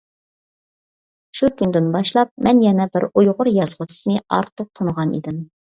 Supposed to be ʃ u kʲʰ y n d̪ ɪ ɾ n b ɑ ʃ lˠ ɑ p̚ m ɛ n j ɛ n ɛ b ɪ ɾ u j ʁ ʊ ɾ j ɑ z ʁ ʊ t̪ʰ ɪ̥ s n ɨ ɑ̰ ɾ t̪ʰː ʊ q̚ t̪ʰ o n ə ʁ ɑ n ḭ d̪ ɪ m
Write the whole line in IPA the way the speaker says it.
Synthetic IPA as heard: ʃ u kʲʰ y n d̪ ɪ n b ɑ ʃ lˠ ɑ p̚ m ɛ n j ɛ n ɛ b ɪ ɾ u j ʁ ʊ ɾ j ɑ z ʁ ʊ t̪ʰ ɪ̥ s n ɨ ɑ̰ ɾ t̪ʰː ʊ q̚ t̪ʰ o n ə ʁ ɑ n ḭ d̪ ɪ m

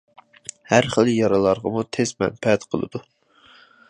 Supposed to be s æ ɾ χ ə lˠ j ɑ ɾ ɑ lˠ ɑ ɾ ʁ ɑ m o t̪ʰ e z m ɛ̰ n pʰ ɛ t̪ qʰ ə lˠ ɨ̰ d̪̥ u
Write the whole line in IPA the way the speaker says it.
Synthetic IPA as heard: h æ ɾ χ ə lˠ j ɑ ɾ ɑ lˠ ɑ ɾ ʁ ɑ m u t̪ʰ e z m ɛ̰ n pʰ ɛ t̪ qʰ ə lˠ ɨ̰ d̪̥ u

